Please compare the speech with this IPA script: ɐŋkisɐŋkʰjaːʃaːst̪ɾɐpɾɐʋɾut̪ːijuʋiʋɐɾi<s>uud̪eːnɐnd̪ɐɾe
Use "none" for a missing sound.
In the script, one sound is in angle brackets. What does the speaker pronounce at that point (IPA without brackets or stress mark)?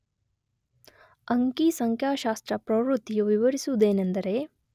s